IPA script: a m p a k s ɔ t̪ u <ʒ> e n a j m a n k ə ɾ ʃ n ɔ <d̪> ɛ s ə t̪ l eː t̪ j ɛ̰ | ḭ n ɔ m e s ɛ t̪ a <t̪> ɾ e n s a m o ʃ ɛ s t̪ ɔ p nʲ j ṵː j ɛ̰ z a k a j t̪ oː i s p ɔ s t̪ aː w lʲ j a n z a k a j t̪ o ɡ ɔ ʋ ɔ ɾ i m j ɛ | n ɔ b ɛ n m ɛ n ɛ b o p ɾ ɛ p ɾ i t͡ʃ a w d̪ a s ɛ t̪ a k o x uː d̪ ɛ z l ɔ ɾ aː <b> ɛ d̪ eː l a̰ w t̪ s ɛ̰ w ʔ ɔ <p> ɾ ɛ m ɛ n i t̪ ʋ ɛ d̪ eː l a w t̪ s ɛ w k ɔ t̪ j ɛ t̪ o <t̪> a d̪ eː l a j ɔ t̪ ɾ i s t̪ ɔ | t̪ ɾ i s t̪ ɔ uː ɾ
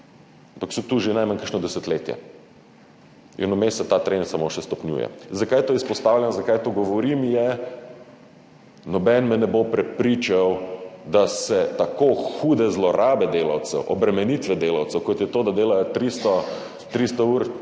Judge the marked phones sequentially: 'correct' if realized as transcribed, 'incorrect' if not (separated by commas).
correct, correct, correct, correct, incorrect, incorrect